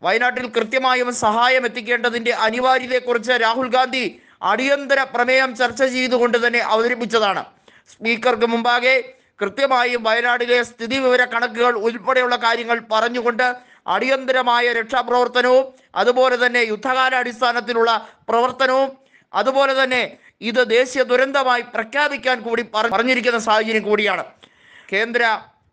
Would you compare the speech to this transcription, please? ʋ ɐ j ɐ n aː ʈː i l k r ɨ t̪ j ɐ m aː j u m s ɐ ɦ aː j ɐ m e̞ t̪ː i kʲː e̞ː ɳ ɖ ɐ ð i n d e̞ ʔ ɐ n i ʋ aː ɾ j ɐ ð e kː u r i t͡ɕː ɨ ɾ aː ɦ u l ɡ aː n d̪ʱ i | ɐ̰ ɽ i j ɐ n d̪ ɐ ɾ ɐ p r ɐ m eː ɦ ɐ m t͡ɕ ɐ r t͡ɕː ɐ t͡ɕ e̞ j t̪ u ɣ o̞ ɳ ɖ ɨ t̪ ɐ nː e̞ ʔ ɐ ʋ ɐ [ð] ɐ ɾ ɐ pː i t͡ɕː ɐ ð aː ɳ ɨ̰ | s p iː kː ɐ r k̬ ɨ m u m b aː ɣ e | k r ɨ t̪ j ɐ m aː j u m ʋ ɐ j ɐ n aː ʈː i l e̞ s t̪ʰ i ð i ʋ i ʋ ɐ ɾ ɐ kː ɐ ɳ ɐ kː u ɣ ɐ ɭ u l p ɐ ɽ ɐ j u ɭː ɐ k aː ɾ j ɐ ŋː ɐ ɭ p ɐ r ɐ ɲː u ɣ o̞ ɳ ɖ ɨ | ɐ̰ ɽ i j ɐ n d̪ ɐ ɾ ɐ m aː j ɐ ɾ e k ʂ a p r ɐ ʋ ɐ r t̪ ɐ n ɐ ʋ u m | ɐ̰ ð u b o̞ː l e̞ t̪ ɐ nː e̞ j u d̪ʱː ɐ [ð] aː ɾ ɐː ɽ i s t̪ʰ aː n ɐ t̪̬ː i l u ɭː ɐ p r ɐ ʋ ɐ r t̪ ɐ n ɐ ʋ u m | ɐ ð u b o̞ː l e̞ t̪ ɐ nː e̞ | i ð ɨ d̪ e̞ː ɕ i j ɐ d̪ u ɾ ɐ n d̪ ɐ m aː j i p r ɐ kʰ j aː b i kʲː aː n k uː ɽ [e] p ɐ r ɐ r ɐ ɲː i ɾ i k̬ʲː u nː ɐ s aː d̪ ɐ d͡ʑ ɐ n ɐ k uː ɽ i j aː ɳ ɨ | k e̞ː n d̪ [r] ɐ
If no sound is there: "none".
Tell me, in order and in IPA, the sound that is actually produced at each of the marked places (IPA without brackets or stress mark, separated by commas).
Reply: ð, ɣ, i, ɾ